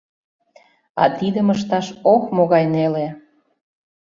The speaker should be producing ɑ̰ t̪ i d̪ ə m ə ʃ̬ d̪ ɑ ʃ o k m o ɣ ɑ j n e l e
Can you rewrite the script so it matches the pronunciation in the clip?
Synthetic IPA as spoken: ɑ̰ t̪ i d̪ ə m ə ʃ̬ t̪ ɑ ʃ o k m o ɣ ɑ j n e l e